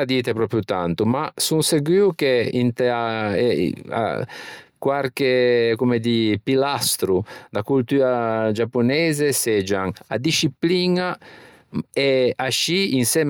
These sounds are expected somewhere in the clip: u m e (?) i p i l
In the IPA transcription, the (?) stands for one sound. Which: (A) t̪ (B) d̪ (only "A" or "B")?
B